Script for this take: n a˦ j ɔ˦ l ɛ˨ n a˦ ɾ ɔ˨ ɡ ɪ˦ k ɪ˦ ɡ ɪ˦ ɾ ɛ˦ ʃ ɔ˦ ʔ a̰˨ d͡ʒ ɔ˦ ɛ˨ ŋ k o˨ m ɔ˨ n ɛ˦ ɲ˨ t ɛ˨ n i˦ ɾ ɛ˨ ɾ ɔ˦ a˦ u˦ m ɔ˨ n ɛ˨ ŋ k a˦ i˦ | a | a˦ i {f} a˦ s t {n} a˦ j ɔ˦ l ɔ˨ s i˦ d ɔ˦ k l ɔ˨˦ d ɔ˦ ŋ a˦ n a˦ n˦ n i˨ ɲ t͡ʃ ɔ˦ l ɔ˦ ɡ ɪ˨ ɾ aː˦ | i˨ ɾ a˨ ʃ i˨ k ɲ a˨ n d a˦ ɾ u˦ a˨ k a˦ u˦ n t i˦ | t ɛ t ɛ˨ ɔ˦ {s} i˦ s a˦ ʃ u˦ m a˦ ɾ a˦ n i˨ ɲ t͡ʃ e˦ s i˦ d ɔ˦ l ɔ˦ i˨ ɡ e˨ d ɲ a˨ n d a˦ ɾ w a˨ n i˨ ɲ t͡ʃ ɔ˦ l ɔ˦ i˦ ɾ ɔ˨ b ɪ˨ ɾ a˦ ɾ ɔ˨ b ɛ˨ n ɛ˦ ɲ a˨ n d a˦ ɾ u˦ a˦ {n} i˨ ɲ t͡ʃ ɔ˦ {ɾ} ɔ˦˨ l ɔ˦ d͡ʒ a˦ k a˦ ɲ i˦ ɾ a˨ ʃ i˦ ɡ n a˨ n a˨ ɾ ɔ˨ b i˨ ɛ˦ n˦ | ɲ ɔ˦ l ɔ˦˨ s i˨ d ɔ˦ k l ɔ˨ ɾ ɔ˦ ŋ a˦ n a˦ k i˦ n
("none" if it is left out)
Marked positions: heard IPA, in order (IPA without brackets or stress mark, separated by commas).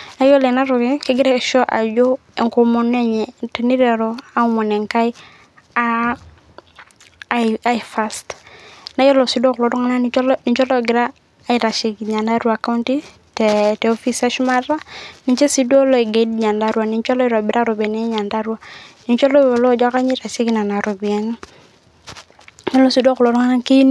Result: f, n, f, n, l